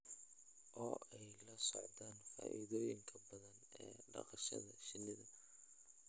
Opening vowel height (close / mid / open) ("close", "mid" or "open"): mid